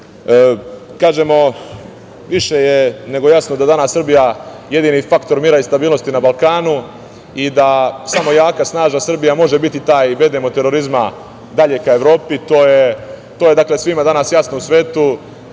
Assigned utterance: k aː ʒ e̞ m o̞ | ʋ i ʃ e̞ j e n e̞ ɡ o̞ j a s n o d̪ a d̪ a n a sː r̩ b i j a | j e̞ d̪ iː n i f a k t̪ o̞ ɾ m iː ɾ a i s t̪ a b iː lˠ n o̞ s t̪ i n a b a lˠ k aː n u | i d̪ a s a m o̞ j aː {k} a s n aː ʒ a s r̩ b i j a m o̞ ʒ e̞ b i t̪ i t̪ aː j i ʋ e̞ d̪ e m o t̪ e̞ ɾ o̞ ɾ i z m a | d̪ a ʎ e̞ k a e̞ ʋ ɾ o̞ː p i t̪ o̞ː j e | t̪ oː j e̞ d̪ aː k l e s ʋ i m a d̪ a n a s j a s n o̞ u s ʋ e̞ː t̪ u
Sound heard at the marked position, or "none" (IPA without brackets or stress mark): k